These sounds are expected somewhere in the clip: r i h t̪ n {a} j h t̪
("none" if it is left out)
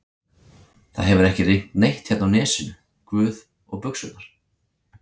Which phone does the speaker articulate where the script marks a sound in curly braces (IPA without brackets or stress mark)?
e